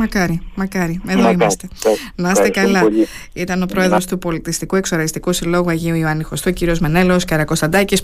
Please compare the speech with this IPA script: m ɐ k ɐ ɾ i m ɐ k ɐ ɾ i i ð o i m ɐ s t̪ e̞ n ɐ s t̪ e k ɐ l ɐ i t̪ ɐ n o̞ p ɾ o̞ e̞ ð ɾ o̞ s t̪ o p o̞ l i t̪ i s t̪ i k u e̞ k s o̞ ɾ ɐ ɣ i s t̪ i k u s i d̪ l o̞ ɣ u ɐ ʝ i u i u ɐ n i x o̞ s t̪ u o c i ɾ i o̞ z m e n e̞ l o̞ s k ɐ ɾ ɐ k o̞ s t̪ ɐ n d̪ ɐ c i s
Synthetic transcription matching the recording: m ɐ k ɐ ɾ i m ɐ k ɐ ɾ i e ð o i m ɐ s t̪ e̞ n ɐ s t̪ e k ɐ l ɐ i t̪ ɐ n o̞ p ɾ o̞ e̞ ð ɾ o̞ s t̪ u p o̞ l i t̪ i s t̪ i k u e̞ k s o̞ ɾ ɐ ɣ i s t̪ i k u s i l o̞ ɣ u ɐ ʝ i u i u ɐ n i x o̞ s t̪ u o c i ɾ i o̞ z m e n e̞ l o̞ s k ɐ ɾ ɐ k o̞ s t̪ ɐ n d̪ ɐ c i s